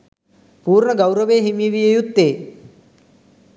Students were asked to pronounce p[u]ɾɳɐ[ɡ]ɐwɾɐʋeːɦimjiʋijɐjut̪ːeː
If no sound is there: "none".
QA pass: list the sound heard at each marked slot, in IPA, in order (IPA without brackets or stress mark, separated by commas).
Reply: uː, ɡ